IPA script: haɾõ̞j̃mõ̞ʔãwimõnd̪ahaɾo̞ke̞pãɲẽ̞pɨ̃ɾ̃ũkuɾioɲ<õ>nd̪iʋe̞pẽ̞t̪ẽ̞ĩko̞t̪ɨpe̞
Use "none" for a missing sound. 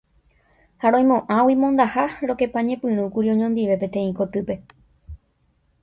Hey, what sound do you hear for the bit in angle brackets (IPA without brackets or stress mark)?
õ